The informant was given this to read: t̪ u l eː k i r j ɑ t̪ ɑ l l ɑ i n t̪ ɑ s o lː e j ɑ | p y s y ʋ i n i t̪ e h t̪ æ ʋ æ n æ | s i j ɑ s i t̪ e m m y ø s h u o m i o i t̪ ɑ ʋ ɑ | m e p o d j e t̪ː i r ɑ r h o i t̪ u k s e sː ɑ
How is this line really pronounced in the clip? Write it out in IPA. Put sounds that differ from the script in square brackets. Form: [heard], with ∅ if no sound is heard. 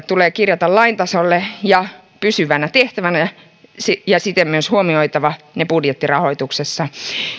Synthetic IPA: t̪ u l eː k i r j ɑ t̪ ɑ l l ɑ i n t̪ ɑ s o lː e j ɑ | p y s y ʋ [æ] n [æ] t̪ e h t̪ æ ʋ æ n æ | s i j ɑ s i t̪ e m m y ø s h u o m i o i t̪ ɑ ʋ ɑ | [n] e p [u] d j e t̪ː i r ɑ [∅] h o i t̪ u k s e sː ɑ